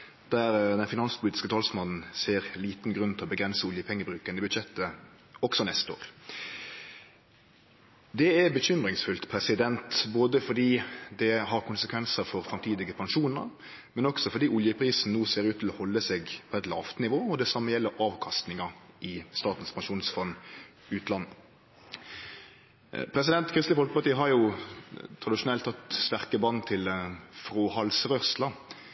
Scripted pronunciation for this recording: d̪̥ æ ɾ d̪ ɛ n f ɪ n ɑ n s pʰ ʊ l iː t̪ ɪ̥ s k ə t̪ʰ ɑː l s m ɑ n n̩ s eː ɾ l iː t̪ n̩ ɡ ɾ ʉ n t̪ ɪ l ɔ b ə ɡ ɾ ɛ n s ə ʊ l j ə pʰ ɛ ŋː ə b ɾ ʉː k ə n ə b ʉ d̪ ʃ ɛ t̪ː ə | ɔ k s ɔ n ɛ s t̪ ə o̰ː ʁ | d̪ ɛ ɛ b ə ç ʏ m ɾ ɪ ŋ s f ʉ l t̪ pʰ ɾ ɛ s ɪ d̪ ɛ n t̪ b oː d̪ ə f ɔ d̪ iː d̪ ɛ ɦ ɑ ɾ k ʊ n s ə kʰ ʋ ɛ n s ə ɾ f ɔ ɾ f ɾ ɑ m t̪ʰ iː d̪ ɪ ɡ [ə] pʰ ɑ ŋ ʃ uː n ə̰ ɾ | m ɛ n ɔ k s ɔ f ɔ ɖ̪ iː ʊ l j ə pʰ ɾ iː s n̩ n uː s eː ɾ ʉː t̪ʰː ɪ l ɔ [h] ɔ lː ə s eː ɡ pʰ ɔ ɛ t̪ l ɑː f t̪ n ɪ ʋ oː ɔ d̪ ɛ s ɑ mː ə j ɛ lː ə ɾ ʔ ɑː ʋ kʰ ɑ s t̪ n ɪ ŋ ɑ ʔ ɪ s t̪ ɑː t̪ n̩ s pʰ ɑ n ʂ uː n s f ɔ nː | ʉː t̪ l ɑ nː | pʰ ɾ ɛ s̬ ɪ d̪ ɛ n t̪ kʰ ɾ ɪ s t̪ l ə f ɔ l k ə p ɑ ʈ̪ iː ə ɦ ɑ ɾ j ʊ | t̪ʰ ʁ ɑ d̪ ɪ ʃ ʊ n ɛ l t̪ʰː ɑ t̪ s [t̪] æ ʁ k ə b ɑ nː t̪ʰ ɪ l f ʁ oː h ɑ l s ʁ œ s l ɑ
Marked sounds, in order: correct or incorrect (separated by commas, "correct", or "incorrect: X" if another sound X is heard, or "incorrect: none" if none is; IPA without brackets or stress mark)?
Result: correct, correct, correct